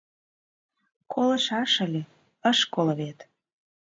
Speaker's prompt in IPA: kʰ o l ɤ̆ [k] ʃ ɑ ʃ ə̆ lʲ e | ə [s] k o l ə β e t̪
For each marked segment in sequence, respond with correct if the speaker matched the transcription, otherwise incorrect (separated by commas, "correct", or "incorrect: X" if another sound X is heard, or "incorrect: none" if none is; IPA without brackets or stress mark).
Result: incorrect: none, incorrect: ʃ